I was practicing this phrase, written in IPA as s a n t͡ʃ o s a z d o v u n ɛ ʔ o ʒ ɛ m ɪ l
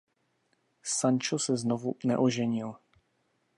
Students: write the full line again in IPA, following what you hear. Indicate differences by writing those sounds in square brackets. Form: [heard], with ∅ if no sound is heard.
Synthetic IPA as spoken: s a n t͡ʃ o s [ɛ] z [n] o v u n ɛ ʔ o ʒ ɛ [ɲ] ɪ l